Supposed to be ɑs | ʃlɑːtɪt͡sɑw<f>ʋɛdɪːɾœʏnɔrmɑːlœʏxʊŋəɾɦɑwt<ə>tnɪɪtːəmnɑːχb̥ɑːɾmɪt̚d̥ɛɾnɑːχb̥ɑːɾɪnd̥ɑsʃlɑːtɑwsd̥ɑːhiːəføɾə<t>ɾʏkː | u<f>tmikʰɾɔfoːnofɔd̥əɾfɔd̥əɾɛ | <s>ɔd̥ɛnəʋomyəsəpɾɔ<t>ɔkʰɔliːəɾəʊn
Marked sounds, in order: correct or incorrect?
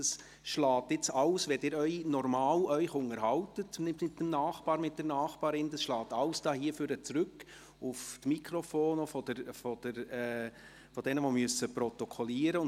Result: incorrect: s, correct, incorrect: t͡s, correct, incorrect: f, correct

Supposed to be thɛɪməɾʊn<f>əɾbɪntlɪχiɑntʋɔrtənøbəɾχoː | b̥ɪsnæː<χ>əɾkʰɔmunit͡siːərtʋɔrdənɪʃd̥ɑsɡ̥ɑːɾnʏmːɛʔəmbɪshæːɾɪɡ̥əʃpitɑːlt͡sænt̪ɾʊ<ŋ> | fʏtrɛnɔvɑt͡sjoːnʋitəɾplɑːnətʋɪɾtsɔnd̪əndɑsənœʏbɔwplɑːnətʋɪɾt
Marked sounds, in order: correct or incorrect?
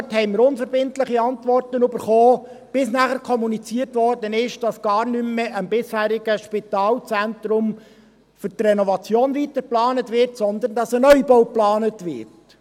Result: correct, correct, incorrect: m

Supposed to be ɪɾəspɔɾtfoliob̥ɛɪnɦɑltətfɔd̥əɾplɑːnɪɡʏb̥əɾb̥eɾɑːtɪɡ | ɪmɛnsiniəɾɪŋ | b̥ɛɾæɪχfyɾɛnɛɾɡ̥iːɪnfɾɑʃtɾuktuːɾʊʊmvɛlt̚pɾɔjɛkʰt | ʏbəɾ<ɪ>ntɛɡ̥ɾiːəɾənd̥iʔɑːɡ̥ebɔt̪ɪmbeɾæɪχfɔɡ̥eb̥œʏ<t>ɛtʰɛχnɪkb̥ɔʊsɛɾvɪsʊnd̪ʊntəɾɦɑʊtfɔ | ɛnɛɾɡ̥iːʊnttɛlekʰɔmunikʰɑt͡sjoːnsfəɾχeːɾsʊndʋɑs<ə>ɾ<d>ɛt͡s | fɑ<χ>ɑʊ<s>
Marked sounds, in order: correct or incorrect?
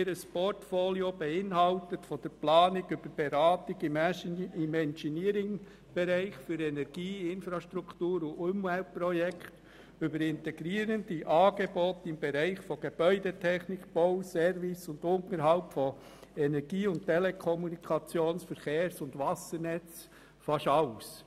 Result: correct, incorrect: d, correct, incorrect: n, incorrect: ʃ, correct

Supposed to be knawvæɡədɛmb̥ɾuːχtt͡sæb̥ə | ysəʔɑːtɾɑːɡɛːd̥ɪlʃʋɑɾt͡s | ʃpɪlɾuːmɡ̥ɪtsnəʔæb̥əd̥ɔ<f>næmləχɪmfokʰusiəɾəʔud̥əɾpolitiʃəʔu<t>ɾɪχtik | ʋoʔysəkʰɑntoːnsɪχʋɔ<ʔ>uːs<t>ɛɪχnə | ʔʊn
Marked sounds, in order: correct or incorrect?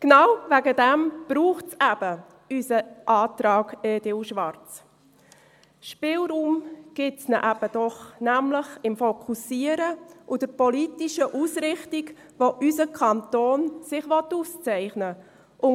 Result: incorrect: χ, incorrect: s, incorrect: t, incorrect: t͡s

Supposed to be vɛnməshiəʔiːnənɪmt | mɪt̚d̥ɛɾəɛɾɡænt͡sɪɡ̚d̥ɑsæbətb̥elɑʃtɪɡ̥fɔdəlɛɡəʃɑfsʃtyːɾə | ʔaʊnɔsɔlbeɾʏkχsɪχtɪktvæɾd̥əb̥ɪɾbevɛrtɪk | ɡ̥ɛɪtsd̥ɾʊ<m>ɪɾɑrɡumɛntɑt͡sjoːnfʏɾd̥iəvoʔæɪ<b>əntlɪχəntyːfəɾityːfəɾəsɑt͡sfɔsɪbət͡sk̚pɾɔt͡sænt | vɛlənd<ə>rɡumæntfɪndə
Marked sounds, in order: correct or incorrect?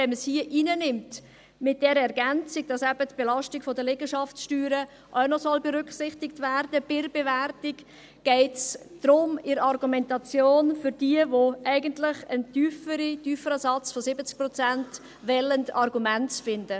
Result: correct, incorrect: ɡ, incorrect: ɑ

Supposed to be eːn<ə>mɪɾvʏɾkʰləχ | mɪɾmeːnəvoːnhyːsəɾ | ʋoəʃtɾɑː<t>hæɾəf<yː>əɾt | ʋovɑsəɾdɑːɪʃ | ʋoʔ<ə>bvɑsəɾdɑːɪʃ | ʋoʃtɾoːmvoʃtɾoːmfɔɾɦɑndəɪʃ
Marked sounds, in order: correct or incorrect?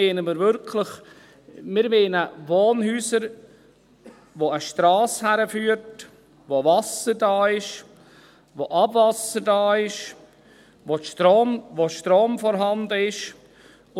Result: correct, incorrect: s, correct, incorrect: ɑ

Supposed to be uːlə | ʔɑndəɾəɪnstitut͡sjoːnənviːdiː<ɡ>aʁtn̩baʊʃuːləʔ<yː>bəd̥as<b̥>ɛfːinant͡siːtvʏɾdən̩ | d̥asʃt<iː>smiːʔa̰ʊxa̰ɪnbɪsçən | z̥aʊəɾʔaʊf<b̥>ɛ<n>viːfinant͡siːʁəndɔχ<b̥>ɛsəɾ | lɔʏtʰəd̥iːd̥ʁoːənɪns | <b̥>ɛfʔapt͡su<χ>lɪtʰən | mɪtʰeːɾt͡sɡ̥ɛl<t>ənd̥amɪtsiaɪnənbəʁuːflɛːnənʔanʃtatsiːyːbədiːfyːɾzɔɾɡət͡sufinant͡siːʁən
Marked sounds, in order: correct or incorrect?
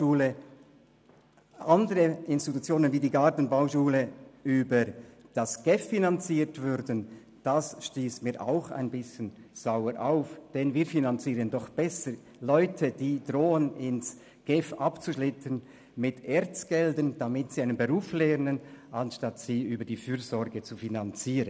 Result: correct, correct, incorrect: ɡ̥, correct, incorrect: d̥, correct, correct, incorrect: ɡ̥, incorrect: ʃ, incorrect: d

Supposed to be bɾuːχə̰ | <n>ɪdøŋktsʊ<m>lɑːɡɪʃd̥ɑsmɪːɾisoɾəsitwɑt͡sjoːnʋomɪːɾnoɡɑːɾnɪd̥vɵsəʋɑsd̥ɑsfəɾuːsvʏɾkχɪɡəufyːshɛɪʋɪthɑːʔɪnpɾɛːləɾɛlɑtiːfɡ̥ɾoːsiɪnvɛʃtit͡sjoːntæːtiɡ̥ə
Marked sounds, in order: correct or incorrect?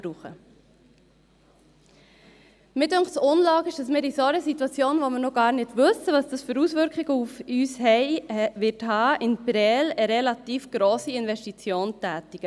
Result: incorrect: m, incorrect: n

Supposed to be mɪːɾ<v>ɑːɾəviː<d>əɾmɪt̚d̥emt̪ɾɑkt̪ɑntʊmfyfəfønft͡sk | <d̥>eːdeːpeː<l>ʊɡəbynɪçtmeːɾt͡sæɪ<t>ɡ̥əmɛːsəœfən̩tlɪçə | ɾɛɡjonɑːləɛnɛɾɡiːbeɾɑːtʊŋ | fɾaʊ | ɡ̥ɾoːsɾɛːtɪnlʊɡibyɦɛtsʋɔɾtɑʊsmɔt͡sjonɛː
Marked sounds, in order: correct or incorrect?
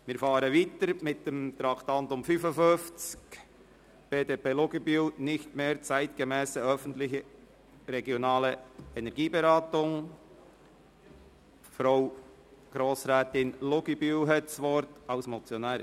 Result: incorrect: f, incorrect: t, incorrect: b̥, correct, correct

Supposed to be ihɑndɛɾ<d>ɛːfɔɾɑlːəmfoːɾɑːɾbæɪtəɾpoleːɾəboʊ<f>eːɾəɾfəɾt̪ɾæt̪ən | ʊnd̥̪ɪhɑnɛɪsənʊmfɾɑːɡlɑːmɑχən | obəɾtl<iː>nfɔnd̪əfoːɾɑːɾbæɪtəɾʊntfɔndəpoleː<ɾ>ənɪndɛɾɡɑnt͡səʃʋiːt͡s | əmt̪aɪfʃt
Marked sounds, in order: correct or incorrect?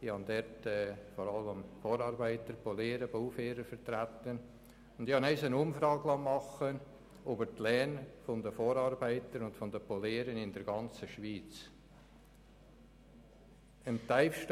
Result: incorrect: t, correct, incorrect: ɛː, correct

